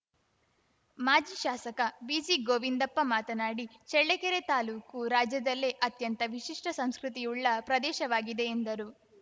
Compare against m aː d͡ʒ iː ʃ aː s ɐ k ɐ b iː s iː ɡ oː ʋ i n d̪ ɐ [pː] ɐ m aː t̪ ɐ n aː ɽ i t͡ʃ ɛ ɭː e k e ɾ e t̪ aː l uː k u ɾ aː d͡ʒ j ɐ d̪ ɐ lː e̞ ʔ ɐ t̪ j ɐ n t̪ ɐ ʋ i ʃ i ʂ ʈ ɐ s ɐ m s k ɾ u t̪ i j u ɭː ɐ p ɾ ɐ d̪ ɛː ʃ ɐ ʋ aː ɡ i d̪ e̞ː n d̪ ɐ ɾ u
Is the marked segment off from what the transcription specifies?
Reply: no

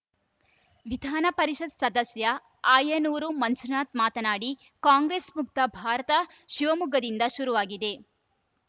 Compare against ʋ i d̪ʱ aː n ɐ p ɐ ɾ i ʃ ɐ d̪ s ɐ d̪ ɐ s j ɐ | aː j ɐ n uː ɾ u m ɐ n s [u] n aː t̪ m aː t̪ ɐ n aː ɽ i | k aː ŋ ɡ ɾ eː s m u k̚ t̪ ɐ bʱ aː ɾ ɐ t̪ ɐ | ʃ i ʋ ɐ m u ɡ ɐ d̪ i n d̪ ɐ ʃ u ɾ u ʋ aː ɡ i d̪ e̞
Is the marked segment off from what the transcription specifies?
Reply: no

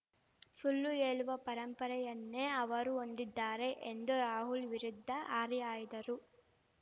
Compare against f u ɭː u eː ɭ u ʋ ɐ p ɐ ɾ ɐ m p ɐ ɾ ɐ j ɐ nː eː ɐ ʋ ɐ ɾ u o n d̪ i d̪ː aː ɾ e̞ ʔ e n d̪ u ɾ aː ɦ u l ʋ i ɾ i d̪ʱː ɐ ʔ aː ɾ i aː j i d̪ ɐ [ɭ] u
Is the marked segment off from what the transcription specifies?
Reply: yes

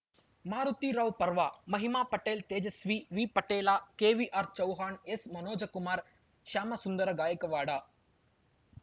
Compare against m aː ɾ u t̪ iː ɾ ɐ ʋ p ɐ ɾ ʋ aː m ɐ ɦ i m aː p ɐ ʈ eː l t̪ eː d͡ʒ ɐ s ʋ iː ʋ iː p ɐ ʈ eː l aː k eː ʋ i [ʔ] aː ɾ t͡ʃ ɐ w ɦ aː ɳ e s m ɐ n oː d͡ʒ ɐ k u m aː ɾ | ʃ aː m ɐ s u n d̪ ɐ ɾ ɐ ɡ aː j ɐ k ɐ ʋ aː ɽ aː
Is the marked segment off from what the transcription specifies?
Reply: no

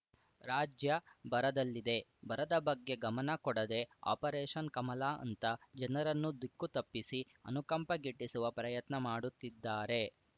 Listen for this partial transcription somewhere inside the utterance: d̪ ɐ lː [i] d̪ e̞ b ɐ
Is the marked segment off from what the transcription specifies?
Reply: no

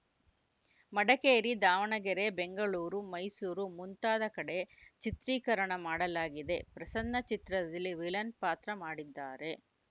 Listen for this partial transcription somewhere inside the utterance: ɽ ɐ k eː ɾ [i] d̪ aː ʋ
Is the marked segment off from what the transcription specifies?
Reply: no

